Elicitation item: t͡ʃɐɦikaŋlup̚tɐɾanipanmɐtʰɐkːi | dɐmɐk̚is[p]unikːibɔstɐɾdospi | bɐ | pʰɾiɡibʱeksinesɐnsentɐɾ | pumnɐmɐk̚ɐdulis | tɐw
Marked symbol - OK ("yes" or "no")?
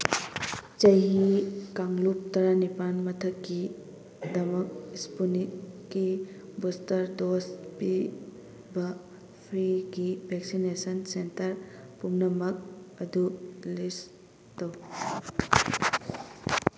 yes